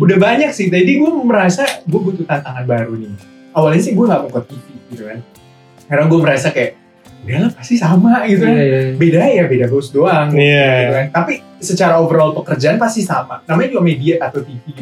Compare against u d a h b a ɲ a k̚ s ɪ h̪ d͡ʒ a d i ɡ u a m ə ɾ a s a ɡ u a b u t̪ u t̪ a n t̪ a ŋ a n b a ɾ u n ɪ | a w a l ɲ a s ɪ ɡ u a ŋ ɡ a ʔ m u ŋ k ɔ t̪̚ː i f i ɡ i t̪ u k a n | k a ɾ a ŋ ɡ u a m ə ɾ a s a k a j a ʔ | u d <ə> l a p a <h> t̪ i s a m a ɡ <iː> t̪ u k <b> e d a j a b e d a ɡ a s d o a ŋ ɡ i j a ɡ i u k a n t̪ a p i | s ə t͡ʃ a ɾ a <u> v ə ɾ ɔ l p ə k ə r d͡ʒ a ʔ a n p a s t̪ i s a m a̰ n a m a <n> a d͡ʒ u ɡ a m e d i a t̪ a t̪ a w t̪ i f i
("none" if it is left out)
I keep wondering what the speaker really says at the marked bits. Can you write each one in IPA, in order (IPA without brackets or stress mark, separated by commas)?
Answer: a, s, i, b, o, ɲ